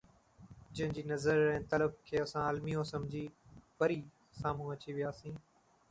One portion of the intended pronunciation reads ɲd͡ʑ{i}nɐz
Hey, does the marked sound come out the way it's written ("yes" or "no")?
no